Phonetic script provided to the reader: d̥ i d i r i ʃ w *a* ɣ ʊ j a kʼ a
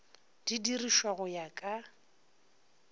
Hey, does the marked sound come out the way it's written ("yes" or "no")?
yes